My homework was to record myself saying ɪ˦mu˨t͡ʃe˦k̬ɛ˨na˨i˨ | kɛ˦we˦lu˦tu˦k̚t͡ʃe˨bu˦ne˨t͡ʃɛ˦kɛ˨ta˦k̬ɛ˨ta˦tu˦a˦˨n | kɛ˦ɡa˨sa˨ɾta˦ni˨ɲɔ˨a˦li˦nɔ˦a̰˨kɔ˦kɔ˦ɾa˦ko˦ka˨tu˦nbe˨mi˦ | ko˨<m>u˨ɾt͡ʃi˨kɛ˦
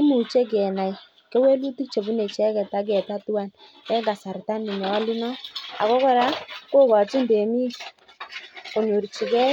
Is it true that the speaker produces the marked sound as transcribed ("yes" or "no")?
no